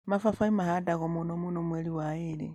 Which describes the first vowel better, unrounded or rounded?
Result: unrounded